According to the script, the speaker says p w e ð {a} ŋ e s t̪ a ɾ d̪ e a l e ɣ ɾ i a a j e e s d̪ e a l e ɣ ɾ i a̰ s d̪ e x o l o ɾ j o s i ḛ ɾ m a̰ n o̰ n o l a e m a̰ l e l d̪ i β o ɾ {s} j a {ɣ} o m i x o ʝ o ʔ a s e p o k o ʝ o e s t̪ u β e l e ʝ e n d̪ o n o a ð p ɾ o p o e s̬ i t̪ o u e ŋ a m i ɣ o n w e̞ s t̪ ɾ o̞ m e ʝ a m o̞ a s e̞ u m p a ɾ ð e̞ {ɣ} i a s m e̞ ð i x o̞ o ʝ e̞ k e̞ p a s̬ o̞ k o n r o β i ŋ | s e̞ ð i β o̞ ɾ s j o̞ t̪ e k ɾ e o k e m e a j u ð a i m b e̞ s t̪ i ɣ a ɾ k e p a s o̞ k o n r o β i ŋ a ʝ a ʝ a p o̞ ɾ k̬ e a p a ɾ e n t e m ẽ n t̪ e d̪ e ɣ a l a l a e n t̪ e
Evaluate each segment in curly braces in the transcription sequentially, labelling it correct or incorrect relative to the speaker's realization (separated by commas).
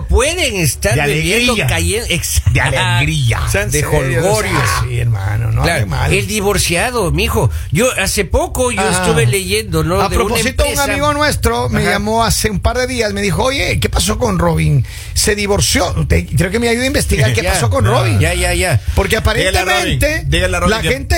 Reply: incorrect, correct, incorrect, incorrect